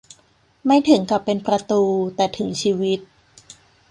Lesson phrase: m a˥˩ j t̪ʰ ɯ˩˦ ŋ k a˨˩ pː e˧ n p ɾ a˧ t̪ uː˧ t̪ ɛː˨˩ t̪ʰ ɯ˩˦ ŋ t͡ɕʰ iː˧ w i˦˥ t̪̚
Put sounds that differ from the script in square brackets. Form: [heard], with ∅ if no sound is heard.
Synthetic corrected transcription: m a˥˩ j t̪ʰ ɯ˩˦ ŋ k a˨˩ pː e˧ n p ɾ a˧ t̪ uː˧ t̪ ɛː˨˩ t̪ʰ ɯ˩˦ ŋ t͡ɕʰ iː˧ w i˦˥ t̪̚